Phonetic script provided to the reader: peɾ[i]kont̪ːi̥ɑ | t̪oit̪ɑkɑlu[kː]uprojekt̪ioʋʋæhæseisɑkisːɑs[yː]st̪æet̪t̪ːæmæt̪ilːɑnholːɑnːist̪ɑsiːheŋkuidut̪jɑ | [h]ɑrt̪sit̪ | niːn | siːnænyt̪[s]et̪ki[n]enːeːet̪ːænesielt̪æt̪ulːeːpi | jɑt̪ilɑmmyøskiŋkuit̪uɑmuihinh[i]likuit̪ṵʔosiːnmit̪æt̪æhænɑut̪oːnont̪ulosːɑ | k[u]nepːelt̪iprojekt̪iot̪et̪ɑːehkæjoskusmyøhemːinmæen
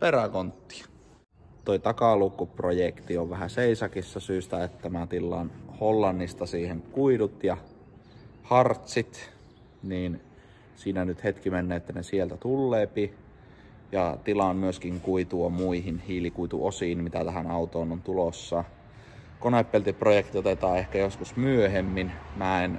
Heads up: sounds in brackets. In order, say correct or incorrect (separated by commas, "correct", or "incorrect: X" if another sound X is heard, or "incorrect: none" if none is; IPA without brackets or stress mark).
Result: incorrect: æ, correct, correct, correct, incorrect: h, incorrect: m, incorrect: iː, incorrect: o